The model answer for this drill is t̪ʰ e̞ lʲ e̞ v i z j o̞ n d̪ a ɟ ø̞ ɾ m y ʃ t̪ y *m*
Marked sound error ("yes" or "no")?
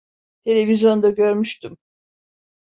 no